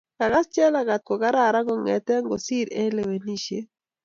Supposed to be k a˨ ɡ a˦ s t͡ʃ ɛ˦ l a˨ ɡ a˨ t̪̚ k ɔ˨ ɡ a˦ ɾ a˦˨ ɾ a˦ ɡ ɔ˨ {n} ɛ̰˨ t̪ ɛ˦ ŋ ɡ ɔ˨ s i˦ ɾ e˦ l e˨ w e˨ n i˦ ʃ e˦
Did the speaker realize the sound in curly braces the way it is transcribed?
no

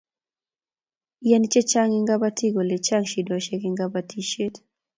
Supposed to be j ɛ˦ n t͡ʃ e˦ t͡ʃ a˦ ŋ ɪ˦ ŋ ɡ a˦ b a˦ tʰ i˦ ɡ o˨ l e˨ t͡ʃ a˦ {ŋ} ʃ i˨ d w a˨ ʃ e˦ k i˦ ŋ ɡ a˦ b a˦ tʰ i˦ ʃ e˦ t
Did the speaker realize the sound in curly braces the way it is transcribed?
yes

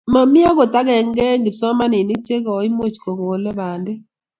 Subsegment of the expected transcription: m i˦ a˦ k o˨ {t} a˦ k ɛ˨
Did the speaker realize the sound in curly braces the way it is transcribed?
yes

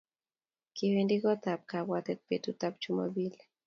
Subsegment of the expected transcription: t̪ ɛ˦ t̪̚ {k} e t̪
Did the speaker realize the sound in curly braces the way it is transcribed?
no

